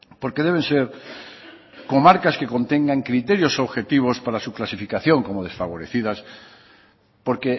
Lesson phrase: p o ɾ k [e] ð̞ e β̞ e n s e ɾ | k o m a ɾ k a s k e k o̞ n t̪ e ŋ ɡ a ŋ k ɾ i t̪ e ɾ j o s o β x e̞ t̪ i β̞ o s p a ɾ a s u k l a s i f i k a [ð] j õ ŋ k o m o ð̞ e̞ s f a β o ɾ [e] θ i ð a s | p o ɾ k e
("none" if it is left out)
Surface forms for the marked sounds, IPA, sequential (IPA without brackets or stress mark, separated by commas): e, θ, e